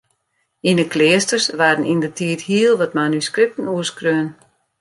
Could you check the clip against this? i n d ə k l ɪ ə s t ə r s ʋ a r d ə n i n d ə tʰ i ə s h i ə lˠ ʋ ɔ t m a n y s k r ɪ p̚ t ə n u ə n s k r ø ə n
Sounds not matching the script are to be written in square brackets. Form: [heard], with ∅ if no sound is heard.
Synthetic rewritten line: i n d ə k l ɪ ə s t ə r s ʋ a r d ə n i n d ə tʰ i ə [t] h i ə lˠ ʋ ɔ t m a n y s k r ɪ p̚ t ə n u ə [∅] s k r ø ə n